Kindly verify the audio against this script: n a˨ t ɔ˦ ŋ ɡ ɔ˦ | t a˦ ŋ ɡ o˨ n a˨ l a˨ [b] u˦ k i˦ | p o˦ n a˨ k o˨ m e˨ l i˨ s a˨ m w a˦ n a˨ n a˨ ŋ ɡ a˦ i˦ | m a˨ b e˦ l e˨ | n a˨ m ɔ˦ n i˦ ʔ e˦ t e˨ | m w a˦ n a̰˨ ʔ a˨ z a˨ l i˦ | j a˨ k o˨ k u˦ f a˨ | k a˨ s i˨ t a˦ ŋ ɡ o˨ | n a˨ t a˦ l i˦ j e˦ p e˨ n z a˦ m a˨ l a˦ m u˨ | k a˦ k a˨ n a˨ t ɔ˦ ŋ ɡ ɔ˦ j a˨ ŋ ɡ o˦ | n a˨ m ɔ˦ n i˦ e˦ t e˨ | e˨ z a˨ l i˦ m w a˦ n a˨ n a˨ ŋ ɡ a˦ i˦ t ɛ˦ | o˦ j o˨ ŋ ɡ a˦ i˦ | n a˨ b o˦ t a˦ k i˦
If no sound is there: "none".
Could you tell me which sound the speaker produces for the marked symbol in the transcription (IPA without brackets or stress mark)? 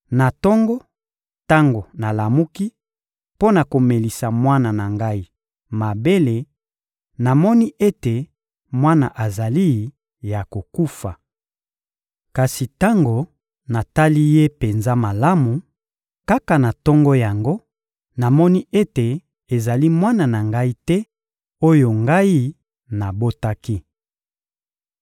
m